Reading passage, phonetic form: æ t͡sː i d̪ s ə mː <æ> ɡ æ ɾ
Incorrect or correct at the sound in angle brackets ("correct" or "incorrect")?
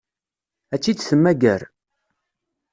correct